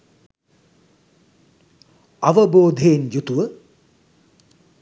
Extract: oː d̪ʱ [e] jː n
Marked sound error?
no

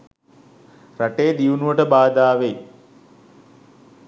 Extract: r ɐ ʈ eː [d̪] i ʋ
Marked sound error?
no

